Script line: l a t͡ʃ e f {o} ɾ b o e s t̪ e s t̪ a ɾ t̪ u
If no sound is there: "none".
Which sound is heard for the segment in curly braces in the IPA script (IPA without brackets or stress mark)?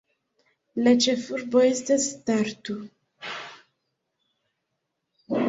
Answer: u